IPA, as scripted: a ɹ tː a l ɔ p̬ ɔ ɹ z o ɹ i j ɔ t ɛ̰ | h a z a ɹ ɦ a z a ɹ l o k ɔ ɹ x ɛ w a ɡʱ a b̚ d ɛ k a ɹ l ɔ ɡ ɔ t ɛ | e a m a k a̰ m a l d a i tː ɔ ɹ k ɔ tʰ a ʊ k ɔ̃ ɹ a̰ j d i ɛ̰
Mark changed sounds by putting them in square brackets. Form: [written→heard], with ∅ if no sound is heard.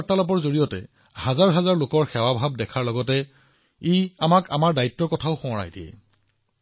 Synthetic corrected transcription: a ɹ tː a l ɔ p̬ ɔ ɹ z o ɹ i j ɔ t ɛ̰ | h a z a ɹ ɦ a z a ɹ l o k ɔ ɹ x ɛ w a [ɡʱ→bʱ] a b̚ d ɛ [k→kʰ] a ɹ l ɔ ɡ ɔ t ɛ | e a m a k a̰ m a [l→ɹ] d a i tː ɔ ɹ k ɔ tʰ a ʊ [k→x] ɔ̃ ɹ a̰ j d i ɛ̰